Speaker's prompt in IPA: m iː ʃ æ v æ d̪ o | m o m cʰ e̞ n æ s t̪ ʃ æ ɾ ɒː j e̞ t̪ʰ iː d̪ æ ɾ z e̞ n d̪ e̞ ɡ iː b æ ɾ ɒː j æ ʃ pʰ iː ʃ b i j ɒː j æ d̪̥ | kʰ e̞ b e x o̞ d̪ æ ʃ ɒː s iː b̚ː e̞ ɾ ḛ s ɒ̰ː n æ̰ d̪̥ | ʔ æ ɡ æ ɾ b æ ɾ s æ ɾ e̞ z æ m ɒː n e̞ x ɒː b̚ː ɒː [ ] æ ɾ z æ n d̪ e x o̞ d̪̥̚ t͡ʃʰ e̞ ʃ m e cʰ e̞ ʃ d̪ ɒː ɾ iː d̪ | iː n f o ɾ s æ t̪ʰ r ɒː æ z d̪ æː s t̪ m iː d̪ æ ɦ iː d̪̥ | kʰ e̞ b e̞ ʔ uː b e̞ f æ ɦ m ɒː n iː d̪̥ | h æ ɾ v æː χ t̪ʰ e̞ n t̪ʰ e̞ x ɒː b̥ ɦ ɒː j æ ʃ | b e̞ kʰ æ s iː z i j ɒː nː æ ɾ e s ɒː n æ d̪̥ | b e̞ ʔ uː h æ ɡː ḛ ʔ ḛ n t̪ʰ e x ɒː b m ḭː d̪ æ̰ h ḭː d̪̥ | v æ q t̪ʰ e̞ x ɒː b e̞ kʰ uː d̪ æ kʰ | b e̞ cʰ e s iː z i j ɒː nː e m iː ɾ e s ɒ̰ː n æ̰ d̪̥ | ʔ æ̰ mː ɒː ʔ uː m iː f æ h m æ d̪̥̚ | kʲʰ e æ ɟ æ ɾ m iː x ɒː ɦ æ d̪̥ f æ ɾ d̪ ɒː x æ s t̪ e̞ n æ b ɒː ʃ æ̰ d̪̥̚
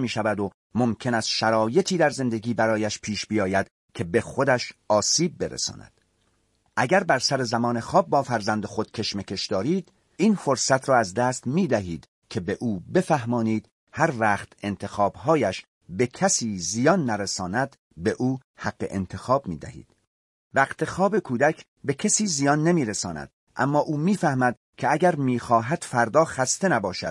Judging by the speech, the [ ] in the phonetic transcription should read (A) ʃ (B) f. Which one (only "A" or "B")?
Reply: B